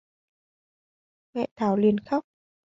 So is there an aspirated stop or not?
yes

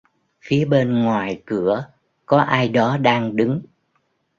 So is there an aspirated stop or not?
no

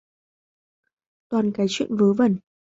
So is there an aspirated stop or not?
no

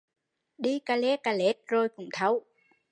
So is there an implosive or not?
yes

